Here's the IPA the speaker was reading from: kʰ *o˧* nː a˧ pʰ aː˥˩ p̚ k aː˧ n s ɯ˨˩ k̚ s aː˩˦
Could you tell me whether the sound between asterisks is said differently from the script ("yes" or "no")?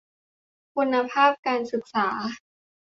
yes